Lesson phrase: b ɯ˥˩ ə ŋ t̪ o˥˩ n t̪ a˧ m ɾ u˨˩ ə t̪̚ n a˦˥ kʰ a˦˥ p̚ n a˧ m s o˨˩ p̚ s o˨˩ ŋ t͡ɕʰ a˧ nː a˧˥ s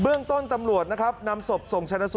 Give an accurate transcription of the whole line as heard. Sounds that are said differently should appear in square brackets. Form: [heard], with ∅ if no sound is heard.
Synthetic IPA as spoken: b ɯ˥˩ ə ŋ t̪ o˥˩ n t̪ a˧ m ɾ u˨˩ ə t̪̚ n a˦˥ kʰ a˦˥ p̚ n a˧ m s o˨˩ p̚ s o˨˩ ŋ t͡ɕʰ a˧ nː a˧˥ s